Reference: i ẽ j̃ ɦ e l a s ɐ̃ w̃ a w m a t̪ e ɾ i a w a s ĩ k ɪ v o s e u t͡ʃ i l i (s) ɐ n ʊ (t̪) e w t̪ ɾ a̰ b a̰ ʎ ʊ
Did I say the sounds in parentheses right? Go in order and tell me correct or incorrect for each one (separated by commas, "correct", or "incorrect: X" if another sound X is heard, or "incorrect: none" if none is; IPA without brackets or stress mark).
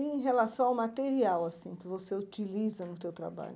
incorrect: z, correct